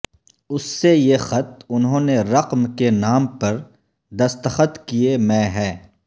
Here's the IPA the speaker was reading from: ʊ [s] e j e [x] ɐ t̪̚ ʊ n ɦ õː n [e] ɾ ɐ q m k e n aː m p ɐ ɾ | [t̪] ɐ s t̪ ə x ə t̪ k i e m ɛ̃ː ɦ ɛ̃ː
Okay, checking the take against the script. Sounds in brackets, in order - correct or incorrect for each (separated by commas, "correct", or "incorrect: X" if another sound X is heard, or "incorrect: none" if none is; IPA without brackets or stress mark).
incorrect: sː, correct, correct, incorrect: d̪